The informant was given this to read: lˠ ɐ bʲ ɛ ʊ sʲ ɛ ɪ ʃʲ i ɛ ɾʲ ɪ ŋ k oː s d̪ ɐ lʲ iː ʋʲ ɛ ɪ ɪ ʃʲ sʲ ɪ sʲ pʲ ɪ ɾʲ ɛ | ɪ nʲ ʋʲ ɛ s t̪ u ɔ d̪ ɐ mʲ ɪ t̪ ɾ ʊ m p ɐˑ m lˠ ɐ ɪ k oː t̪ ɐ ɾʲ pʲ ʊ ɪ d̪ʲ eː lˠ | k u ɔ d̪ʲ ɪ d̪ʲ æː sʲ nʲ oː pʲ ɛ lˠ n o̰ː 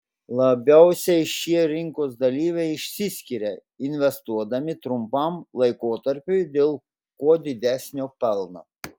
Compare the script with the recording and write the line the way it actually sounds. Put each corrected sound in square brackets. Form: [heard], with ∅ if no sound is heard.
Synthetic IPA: lˠ ɐ bʲ ɛ ʊ sʲ ɛ ɪ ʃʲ i ɛ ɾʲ ɪ ŋ k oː s d̪ ɐ lʲ iː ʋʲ ɛ ɪ ɪ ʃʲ sʲ ɪ sʲ [kʲ] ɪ ɾʲ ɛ | ɪ nʲ ʋʲ ɛ s t̪ u ɔ d̪ ɐ mʲ ɪ t̪ ɾ ʊ m p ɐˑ m lˠ ɐ ɪ k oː t̪ ɐ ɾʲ pʲ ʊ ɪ d̪ʲ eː lˠ | k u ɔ d̪ʲ ɪ d̪ʲ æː sʲ nʲ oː pʲ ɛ lˠ n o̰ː